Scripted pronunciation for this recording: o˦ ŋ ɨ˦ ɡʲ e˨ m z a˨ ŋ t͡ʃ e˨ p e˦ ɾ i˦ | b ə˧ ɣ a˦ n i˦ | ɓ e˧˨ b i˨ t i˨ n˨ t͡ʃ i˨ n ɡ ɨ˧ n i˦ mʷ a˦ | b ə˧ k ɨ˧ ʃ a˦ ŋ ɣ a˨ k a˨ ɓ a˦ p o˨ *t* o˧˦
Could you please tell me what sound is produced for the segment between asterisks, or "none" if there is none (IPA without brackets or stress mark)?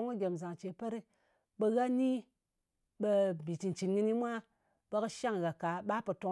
t